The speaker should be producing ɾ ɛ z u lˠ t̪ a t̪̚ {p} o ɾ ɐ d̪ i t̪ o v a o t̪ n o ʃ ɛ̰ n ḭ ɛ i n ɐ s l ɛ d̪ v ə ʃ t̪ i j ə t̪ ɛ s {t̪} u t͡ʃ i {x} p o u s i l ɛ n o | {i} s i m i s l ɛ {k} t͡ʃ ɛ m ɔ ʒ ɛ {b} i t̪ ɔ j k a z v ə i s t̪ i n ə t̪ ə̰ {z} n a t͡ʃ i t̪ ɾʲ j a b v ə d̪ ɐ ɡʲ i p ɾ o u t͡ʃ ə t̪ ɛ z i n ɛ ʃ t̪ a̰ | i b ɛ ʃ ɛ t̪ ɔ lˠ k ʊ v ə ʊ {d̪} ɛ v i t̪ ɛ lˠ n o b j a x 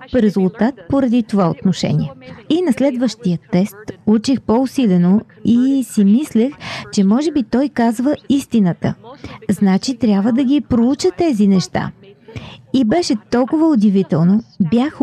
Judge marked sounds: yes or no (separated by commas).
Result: yes, yes, yes, yes, no, yes, yes, yes